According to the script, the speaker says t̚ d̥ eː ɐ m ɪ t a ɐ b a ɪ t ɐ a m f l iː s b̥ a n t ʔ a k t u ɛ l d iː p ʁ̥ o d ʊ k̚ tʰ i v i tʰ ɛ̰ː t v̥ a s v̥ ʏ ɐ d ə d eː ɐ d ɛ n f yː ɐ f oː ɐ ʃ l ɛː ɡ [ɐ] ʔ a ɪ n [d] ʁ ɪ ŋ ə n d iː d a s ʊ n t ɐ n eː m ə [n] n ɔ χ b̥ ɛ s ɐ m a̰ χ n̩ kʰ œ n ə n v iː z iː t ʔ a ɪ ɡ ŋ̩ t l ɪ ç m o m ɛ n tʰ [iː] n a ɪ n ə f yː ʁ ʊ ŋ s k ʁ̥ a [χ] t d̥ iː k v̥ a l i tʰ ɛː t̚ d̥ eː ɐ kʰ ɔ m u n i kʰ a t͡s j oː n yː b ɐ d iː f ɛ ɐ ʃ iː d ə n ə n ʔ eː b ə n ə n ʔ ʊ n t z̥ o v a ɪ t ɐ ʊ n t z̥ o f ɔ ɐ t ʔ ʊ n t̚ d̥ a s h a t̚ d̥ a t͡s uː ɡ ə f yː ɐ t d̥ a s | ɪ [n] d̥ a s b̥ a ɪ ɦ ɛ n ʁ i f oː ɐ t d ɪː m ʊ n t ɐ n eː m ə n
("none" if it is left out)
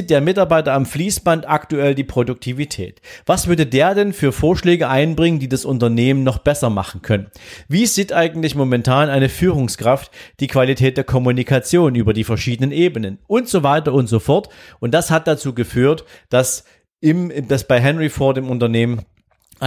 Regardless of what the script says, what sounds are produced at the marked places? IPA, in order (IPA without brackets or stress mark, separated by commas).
ə, b, n, aː, f, m